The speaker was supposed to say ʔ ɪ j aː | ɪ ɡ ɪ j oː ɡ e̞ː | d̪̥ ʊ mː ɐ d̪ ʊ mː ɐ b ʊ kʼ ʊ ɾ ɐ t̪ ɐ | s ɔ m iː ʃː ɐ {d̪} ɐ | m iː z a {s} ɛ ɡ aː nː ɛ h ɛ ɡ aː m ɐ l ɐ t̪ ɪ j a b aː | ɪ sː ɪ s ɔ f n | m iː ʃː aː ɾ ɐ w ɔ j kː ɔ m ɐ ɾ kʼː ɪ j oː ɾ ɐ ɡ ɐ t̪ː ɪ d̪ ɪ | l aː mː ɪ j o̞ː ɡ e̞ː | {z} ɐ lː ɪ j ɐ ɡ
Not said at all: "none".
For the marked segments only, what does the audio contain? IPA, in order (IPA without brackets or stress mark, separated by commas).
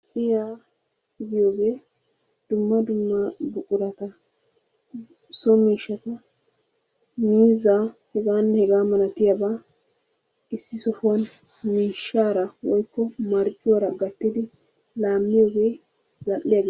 t̪, h, z